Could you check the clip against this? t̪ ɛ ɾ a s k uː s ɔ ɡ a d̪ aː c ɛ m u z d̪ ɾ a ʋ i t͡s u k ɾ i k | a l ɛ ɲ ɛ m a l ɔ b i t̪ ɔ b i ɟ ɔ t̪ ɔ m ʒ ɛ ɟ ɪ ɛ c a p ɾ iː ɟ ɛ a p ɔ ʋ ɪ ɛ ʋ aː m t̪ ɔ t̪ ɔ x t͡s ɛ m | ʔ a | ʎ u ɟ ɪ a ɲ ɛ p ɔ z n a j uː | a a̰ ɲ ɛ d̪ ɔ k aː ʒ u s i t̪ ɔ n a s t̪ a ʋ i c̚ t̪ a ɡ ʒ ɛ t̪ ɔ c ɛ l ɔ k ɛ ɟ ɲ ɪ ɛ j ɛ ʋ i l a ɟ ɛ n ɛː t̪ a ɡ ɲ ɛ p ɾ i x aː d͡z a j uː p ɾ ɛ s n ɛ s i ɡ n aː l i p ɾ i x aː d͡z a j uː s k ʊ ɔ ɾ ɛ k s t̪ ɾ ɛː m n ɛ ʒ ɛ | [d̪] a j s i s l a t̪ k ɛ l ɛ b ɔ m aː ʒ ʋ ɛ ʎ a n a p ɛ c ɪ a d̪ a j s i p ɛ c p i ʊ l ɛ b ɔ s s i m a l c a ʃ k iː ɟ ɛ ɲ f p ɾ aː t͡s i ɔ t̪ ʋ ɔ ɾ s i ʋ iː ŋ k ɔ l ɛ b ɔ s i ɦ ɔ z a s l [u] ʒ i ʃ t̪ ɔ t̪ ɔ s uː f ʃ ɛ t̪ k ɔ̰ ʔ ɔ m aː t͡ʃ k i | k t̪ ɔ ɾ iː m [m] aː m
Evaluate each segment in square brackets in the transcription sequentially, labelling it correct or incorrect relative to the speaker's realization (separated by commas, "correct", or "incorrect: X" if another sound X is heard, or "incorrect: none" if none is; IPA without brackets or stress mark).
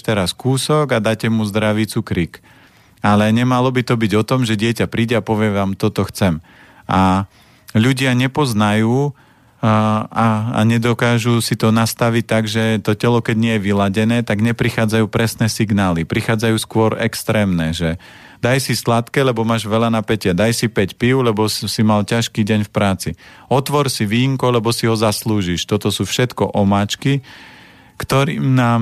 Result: correct, incorrect: uː, incorrect: n